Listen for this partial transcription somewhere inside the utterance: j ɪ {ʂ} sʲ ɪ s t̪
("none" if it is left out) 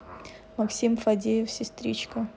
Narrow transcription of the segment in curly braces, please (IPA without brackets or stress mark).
f